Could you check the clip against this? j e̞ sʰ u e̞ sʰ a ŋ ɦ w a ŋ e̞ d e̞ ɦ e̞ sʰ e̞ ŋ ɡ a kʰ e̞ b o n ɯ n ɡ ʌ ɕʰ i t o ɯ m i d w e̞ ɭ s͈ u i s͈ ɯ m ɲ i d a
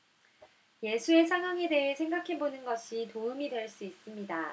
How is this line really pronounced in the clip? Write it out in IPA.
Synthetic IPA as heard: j e̞ sʰ u e̞ sʰ a ŋ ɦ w a ŋ e̞ d e̞ ɦ e̞ sʰ e̞ ŋ ɡ a kʰ e̞ b o n ɯ n ɡ ʌ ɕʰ i t o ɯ m i d w e̞ ɭ s͈ u i s͈ ɯ m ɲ i d a

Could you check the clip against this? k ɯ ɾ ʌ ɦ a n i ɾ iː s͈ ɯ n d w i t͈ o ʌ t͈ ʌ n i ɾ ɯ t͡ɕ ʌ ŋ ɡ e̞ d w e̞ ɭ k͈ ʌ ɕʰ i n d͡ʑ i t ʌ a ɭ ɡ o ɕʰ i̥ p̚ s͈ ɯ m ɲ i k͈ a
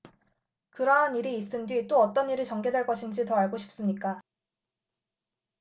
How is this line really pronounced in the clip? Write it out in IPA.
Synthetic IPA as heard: k ɯ ɾ ʌ ɦ a n i ɾ iː s͈ ɯ n d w i t͈ o ʌ t͈ ʌ n i ɾ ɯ t͡ɕ ʌ ŋ ɡ e̞ d w e̞ ɭ k͈ ʌ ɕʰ i n d͡ʑ i t ʌ a ɭ ɡ o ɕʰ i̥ p̚ s͈ ɯ m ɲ i k͈ a

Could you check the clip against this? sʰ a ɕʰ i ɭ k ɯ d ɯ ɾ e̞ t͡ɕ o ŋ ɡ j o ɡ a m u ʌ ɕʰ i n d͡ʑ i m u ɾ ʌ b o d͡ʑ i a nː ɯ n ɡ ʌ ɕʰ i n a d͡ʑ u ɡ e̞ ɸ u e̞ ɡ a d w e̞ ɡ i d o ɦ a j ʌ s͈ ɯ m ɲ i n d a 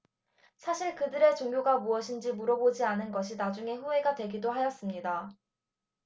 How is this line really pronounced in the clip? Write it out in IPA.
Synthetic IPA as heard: sʰ a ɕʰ i ɭ k ɯ d ɯ ɾ e̞ t͡ɕ o ŋ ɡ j o ɡ a m u ʌ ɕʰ i n d͡ʑ i m u ɾ ʌ b o d͡ʑ i a n ɯ n ɡ ʌ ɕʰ i n a d͡ʑ u ŋ e̞ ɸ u e̞ ɡ a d w e̞ ɡ i d o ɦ a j ʌ s͈ ɯ m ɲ i d a

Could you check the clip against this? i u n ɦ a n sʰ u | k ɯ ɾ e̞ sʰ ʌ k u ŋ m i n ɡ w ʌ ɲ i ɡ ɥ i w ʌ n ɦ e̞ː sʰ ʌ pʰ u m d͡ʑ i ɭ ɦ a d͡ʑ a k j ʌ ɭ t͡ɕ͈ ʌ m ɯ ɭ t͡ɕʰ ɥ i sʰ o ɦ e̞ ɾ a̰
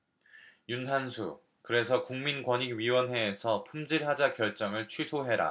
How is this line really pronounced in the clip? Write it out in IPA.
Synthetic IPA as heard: j u n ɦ a n sʰ u | k ɯ ɾ e̞ sʰ ʌ k u ŋ m i n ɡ w ʌ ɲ i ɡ ɥ i w ʌ n ɦ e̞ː sʰ ʌ pʰ u m d͡ʑ i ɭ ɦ a d͡ʑ a k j ʌ ɭ t͡ɕ͈ ʌ ŋ ɯ ɭ t͡ɕʰ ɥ i sʰ o ɦ e̞ ɾ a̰

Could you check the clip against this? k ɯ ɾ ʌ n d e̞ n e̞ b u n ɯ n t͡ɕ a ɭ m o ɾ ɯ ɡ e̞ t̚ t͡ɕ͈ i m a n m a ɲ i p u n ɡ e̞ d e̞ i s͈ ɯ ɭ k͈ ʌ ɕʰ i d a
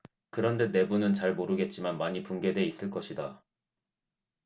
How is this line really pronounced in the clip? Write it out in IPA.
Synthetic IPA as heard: k ɯ ɾ ʌ n d e̞ n e̞ b u n ɯ n t͡ɕ a ɭ m o ɾ ɯ ɡ e̞ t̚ t͡ɕ͈ i m a n m a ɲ i p u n ɡ e̞ d e̞ i s͈ ɯ ɭ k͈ ʌ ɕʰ i d a

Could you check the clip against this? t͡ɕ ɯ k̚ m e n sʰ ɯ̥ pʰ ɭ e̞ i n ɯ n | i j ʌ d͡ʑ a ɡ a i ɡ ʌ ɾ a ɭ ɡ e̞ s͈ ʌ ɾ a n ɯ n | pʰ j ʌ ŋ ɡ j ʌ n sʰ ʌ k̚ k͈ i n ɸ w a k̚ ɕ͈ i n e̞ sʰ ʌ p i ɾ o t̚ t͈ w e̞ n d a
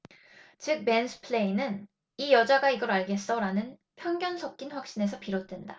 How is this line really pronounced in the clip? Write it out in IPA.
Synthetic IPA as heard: t͡ɕ ɯ k̚ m e n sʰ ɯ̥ pʰ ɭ e̞ i n ɯ n | i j ʌ d͡ʑ a ɡ a i ɡ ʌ ɾ a ɭ ɡ e̞ s͈ ʌ ɾ a n ɯ n | pʰ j ʌ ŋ ɡ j ʌ n sʰ ʌ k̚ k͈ i n ɸ w a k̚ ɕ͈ i n e̞ sʰ ʌ p i ɾ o t̚ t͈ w e̞ n d a

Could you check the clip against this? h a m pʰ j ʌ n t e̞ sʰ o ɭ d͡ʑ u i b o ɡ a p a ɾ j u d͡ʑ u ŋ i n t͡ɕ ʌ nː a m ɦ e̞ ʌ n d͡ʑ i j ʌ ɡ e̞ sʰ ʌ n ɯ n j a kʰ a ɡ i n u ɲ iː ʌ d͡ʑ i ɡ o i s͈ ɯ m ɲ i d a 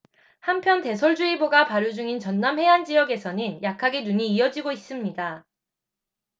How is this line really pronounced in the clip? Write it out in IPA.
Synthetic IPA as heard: h a m pʰ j ʌ n t e̞ sʰ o ɭ d͡ʑ u i b o ɡ a p a ɾ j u d͡ʑ u ŋ i n t͡ɕ ʌ nː a m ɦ e̞ a n d͡ʑ i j ʌ ɡ e̞ sʰ ʌ n ɯ n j a kʰ a ɡ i n u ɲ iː ʌ d͡ʑ i ɡ o i s͈ ɯ m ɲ i d a

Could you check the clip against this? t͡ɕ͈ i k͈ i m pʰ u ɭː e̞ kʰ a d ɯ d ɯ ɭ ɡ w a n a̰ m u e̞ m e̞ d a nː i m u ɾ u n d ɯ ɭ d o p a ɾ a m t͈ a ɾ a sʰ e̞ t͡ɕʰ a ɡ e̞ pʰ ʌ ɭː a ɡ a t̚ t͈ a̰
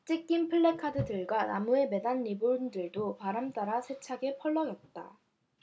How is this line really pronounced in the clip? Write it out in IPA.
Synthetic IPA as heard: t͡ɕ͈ i k͈ i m pʰ ɯ ɭː e̞ kʰ a d ɯ d ɯ ɭ ɡ w a n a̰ m u e̞ m e̞ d a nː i b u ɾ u n d ɯ ɭ d o p a ɾ a m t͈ a ɾ a sʰ e̞ t͡ɕʰ a ɡ e̞ pʰ ʌ ɭː ʌ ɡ ʌ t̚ t͈ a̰

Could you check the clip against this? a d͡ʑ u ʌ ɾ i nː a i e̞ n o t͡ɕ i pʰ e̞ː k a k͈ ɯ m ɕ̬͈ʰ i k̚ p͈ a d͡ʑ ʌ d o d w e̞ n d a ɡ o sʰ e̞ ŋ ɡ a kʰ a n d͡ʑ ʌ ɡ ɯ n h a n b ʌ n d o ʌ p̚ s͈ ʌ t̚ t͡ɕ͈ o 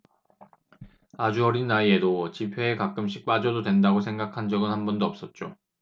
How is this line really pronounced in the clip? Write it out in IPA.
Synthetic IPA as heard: a d͡ʑ u ʌ ɾ i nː a i e̞ d o t͡ɕ i pʰ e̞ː k a k͈ ɯ m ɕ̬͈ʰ i k̚ p͈ a d͡ʑ ʌ d o d w e̞ n d a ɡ o sʰ e̞ ŋ ɡ a kʰ a n d͡ʑ ʌ ɡ ɯ n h a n b ʌ n d o ʌ p̚ s͈ ʌ t̚ t͡ɕ͈ o

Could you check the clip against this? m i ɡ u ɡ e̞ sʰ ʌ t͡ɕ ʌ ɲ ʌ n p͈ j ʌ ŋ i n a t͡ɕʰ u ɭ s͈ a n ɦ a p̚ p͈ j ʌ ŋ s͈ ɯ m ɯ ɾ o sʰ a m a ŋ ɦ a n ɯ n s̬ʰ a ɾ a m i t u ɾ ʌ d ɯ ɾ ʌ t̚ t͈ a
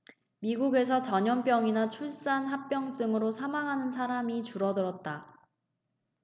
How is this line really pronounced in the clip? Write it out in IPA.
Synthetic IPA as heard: m i ɡ u ɡ e̞ sʰ ʌ t͡ɕ ʌ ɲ ʌ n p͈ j ʌ ŋ i n a t͡ɕʰ u ɭ s͈ a n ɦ a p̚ p͈ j ʌ ŋ s͈ ɯ ŋ ɯ ɾ o sʰ a m a ŋ ɦ a n ɯ n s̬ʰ a ɾ a m i t͡ɕ u ɾ ʌ d ɯ ɾ ʌ t̚ t͈ a

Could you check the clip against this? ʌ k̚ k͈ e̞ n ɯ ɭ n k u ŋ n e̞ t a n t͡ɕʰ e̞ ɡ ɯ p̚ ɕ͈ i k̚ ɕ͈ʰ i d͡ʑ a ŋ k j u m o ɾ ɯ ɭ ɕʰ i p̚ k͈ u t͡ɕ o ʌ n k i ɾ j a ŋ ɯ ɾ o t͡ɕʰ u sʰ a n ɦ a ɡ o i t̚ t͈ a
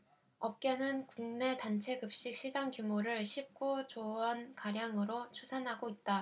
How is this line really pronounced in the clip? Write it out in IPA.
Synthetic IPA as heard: ʌ p̚ k͈ e̞ n ɯ n k u ŋ n e̞ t a n t͡ɕʰ e̞ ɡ ɯ p̚ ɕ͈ i k̚ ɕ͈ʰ i d͡ʑ a ŋ k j u m o ɾ ɯ ɭ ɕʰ i p̚ k͈ u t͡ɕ o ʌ n k a ɾ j a ŋ ɯ ɾ o t͡ɕʰ u sʰ a n ɦ a ɡ o i t̚ t͈ a

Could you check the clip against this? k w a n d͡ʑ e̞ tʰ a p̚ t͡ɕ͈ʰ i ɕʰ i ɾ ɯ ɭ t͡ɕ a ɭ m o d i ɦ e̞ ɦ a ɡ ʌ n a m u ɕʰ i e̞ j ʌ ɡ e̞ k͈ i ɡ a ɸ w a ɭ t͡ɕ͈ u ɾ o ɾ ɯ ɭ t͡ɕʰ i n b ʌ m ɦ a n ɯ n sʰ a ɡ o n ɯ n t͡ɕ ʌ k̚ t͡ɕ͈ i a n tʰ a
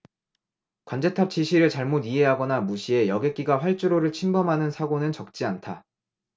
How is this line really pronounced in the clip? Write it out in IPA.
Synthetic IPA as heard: k w a n d͡ʑ e̞ tʰ a p̚ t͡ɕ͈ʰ i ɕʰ i ɾ ɯ ɭ t͡ɕ a ɭ m o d i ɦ e̞ ɦ a ɡ ʌ n a m u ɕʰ i e̞ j ʌ ɡ e̞ k͈ i ɡ a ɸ w a ɭ t͡ɕ͈ u ɾ o ɾ ɯ ɭ t͡ɕʰ i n b ʌ m ɦ a n ɯ n sʰ a ɡ o n ɯ n t͡ɕ ʌ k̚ t͡ɕ͈ i a n tʰ a

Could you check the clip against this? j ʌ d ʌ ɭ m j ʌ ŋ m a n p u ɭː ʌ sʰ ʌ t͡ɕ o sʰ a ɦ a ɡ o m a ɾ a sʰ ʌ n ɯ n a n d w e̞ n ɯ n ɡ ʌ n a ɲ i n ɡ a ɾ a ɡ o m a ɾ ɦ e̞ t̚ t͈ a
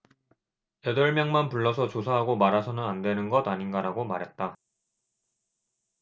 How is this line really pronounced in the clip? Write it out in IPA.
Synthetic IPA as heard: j ʌ d ʌ ɭ m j ʌ ŋ m a n p u ɭː ʌ sʰ ʌ t͡ɕ o sʰ a ɦ a ɡ o m a ɾ a sʰ ʌ n ɯ n a n d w e̞ n ɯ n ɡ ʌ d a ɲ i n ɡ a ɾ a ɡ o m a ɾ ɦ e̞ t̚ t͈ a

